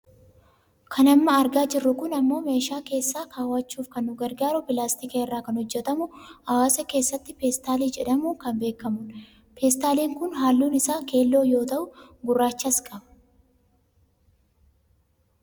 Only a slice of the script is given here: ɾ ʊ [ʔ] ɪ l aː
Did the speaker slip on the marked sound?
yes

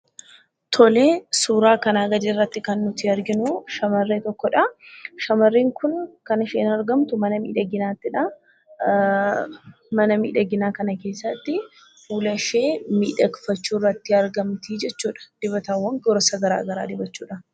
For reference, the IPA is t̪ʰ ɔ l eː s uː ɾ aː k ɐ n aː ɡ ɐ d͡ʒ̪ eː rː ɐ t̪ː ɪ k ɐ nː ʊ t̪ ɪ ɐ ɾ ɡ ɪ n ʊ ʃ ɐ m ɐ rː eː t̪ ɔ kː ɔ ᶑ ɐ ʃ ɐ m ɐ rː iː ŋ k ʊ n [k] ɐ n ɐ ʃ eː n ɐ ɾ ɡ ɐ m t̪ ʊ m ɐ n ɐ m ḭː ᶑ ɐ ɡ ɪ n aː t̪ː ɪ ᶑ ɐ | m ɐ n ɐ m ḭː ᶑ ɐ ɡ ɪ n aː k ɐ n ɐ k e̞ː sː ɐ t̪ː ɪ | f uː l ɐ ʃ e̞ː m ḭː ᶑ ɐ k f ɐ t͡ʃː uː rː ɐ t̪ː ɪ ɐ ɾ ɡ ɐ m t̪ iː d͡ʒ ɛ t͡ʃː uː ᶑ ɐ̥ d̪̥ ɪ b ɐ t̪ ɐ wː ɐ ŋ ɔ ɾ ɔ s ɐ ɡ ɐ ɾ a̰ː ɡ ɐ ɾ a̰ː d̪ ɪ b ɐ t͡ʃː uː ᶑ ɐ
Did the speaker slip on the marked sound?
no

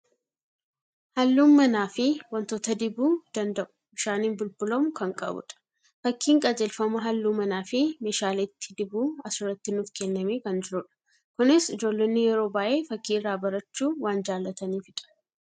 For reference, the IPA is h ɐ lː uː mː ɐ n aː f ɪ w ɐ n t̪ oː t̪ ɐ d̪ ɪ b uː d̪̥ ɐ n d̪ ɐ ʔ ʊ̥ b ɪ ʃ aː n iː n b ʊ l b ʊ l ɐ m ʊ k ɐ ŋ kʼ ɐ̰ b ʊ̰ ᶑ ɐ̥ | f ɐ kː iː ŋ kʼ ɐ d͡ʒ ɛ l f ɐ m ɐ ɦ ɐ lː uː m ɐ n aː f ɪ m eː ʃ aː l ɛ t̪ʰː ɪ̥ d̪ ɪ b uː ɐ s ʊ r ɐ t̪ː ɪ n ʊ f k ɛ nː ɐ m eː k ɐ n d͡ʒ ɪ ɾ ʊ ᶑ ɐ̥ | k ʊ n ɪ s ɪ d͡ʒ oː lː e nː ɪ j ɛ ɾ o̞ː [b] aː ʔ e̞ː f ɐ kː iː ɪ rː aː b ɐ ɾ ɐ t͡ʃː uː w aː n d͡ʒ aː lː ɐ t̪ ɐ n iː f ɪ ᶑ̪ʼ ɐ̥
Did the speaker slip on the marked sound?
no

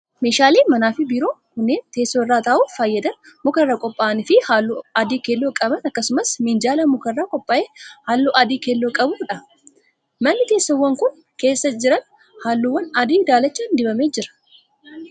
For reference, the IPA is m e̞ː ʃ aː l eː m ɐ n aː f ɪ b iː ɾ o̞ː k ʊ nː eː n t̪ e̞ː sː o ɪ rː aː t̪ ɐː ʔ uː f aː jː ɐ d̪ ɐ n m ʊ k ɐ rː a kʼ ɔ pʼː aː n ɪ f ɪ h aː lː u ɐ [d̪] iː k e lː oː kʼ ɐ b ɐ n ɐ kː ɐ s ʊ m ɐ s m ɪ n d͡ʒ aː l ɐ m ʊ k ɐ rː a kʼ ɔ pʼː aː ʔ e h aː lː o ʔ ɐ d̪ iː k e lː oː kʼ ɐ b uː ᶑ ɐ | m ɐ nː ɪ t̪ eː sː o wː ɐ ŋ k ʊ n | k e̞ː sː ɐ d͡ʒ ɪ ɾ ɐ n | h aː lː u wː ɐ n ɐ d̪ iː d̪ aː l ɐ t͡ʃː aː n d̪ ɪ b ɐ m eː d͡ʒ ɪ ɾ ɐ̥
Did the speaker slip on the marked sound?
no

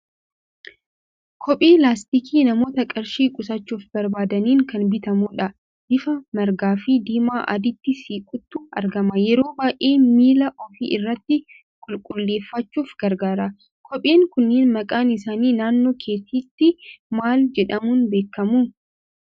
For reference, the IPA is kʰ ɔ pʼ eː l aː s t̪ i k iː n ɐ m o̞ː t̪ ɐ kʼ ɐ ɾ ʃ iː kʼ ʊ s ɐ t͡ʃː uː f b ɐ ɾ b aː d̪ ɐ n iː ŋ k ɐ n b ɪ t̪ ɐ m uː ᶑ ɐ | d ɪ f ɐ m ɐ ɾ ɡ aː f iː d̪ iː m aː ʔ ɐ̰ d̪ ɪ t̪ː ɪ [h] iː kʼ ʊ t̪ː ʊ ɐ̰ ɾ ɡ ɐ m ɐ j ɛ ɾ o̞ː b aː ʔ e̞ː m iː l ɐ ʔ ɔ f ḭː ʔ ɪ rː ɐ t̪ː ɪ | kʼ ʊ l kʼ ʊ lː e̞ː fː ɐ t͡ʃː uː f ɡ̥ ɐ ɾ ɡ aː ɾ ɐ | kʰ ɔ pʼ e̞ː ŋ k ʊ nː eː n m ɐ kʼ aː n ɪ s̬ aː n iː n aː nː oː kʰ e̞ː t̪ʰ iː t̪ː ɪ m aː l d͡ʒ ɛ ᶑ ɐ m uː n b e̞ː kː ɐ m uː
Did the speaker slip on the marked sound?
yes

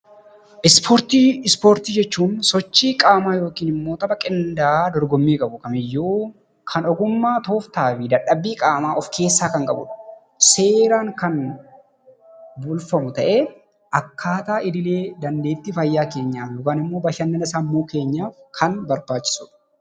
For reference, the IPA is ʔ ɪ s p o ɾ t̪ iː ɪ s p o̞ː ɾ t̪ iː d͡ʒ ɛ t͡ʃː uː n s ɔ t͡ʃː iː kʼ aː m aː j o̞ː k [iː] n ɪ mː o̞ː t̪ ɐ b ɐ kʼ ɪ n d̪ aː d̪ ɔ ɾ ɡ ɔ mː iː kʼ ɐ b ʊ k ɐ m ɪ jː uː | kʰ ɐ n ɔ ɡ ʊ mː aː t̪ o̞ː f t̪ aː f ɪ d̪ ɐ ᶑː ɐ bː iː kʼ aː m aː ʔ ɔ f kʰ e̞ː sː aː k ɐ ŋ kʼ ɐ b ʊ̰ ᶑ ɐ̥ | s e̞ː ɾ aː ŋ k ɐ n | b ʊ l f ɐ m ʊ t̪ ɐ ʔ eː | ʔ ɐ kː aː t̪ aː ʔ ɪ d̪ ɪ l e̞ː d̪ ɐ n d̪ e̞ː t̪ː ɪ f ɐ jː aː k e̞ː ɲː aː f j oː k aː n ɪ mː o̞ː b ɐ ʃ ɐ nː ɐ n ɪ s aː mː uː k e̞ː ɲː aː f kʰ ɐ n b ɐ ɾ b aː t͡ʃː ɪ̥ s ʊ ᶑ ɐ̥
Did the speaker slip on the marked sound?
no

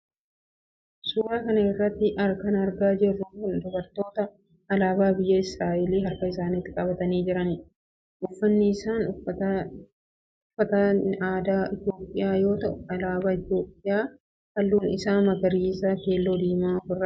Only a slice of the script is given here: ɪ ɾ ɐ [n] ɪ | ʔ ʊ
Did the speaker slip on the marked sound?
no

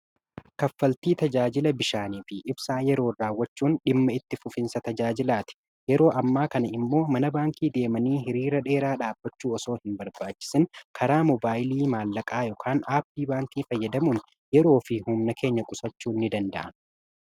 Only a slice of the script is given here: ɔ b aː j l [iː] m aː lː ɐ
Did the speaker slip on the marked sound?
no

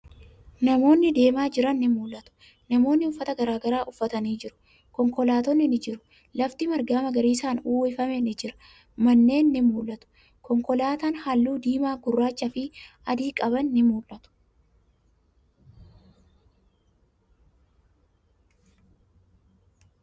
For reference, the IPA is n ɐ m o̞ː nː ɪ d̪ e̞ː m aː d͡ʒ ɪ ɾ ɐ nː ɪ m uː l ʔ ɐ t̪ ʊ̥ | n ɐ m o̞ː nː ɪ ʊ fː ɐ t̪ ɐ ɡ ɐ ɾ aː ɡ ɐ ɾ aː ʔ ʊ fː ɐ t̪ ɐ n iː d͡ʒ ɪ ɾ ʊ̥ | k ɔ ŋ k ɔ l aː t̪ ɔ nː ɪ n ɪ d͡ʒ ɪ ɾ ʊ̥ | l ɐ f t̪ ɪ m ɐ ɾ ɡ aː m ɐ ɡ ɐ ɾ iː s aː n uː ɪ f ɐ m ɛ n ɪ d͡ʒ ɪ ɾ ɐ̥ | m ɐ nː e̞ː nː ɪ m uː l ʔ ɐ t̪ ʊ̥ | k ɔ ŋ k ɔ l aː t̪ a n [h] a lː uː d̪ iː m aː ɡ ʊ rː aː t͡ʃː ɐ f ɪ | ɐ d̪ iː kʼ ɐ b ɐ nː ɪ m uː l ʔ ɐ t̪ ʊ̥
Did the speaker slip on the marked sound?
no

